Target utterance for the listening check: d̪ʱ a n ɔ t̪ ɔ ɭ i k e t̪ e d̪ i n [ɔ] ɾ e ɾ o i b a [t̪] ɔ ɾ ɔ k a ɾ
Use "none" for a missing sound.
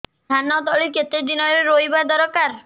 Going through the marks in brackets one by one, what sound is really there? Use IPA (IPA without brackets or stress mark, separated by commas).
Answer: ɔ, d̪